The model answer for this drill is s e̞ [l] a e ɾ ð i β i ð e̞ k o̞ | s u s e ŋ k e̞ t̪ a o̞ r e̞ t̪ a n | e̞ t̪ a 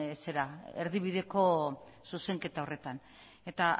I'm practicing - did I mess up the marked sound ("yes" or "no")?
yes